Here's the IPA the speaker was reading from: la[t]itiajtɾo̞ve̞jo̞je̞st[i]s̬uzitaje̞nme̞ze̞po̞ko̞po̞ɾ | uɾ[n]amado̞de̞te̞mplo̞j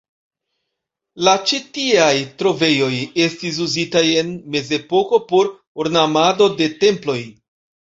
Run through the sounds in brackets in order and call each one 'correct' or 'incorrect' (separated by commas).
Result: incorrect, correct, correct